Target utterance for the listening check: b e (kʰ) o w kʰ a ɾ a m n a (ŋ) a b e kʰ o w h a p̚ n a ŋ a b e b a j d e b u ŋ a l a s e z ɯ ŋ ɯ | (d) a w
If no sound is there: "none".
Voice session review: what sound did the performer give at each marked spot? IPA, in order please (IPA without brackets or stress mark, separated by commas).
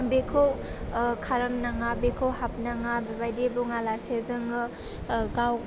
kʰ, ŋ, ɡ